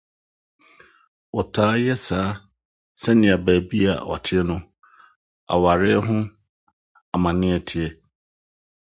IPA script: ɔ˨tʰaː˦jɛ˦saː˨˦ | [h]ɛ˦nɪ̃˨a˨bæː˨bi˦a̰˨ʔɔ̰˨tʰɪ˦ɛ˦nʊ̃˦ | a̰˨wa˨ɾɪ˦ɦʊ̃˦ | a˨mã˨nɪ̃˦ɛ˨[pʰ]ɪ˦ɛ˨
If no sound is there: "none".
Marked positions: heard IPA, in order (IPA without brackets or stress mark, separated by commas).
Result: s, tʰ